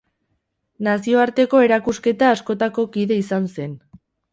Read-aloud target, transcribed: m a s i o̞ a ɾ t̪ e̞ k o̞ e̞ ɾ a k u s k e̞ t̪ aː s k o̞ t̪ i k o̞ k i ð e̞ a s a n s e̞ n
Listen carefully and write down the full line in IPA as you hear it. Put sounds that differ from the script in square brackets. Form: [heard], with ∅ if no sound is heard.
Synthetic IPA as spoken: [n] a s i o̞ a ɾ t̪ e̞ k o̞ e̞ ɾ a k u s k e̞ t̪ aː s k o̞ t̪ [a] k o̞ k i ð e̞ [i] s a n s e̞ n